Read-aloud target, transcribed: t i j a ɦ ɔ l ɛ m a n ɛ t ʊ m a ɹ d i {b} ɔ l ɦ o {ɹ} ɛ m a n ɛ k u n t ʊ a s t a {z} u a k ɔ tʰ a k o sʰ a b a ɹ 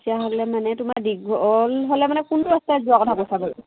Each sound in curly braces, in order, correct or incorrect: incorrect, incorrect, correct

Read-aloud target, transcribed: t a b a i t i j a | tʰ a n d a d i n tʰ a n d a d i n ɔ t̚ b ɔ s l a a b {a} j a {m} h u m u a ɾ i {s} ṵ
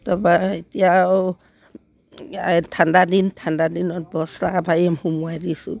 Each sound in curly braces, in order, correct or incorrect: correct, correct, correct

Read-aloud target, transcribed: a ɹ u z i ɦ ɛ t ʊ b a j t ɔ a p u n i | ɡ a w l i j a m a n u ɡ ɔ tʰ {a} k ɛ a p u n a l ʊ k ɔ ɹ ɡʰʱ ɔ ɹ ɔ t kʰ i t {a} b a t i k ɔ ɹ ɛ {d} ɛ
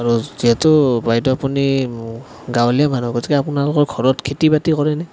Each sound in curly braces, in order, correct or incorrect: incorrect, incorrect, incorrect

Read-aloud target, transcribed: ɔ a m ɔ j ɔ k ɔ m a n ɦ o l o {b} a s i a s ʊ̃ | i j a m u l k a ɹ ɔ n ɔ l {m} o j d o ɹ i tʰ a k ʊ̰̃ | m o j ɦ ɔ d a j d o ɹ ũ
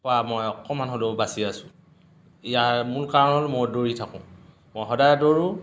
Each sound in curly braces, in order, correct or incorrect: correct, correct

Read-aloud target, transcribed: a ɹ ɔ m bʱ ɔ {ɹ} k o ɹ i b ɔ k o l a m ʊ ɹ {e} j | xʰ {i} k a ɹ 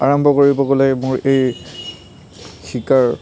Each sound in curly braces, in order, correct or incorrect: incorrect, correct, correct

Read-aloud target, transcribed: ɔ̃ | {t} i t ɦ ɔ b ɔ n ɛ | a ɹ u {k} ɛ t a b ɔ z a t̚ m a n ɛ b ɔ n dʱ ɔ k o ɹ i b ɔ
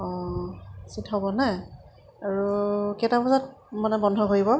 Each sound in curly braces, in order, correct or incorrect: incorrect, correct

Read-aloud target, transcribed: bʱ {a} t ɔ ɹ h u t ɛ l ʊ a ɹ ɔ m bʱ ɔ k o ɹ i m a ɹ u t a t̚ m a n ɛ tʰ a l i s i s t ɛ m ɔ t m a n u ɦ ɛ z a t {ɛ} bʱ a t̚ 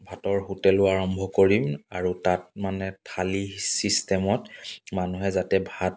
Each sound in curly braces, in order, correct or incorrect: correct, correct

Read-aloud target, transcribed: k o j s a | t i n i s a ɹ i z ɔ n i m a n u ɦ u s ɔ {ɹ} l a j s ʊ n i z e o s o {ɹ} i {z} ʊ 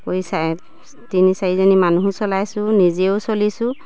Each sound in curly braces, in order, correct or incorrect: incorrect, incorrect, incorrect

